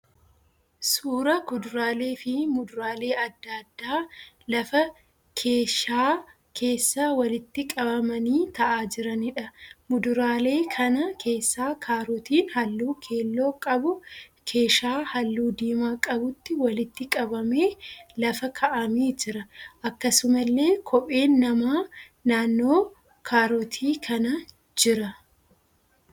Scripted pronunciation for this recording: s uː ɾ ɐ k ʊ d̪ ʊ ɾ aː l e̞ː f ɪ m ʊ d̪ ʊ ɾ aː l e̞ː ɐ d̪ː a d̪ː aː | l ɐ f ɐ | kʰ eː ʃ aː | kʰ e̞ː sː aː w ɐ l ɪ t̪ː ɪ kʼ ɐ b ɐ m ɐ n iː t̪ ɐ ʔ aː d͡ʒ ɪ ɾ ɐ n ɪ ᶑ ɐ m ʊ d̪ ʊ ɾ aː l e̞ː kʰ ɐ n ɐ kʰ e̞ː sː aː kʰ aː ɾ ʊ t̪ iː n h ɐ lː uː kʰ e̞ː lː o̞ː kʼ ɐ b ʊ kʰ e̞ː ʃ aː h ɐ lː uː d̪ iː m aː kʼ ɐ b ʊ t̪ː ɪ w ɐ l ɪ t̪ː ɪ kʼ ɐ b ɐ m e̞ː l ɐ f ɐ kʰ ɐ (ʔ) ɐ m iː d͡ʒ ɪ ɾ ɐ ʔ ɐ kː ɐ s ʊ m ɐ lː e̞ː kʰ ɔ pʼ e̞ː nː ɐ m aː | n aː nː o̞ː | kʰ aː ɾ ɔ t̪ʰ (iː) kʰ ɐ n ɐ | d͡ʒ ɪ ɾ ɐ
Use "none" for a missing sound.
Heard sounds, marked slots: ʔ, iː

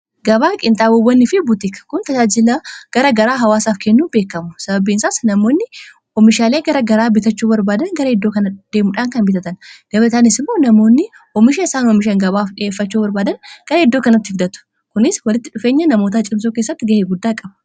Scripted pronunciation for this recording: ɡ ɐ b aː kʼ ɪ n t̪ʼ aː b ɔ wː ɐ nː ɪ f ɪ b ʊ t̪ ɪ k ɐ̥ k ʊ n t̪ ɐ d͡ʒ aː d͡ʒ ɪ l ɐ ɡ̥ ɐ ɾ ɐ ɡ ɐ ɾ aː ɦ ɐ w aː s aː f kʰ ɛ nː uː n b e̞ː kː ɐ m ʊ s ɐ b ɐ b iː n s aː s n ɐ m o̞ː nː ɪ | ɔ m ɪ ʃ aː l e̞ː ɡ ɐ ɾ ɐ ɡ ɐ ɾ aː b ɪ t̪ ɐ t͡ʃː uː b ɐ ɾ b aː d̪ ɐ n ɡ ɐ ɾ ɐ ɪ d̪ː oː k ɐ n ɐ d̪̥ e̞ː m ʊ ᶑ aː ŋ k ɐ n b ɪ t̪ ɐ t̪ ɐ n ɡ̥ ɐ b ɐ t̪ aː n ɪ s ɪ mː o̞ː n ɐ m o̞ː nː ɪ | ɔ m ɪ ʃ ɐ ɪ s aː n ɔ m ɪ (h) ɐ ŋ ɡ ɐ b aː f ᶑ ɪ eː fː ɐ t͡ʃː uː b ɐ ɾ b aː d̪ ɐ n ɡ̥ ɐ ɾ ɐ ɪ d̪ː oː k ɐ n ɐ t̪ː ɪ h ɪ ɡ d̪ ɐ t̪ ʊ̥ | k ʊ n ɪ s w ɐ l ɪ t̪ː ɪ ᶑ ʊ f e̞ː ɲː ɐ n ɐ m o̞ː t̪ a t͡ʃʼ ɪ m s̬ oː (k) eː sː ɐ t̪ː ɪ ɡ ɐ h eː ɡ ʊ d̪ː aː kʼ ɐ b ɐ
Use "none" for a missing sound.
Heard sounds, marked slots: ʃ, k

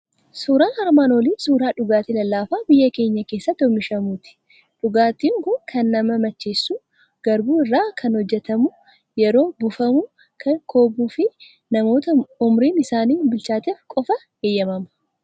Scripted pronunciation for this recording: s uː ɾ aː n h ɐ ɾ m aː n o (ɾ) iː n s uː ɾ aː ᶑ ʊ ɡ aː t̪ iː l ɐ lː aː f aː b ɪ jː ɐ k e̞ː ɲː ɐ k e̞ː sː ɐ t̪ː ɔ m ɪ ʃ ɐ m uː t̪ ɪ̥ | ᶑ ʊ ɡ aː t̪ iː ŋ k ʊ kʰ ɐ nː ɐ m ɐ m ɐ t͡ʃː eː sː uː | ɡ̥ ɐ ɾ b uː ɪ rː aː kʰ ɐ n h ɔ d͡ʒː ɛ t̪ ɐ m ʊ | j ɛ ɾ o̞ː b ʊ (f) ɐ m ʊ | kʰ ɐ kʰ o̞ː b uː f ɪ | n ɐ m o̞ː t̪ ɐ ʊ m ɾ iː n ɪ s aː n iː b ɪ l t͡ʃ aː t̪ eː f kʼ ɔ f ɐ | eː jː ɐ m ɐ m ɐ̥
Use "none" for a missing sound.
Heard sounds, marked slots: l, f

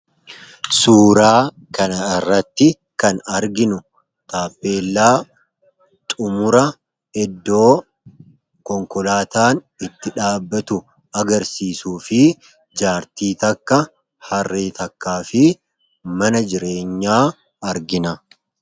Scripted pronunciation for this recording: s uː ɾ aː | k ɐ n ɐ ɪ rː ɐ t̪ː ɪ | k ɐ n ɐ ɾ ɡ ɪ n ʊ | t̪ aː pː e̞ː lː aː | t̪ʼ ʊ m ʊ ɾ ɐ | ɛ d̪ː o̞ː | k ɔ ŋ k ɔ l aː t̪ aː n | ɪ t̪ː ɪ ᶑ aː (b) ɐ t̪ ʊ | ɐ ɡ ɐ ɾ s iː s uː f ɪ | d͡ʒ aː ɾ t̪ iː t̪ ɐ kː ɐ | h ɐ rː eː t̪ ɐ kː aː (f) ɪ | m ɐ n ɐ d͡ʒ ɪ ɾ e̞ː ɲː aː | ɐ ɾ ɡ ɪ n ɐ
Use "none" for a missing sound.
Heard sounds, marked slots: bː, f

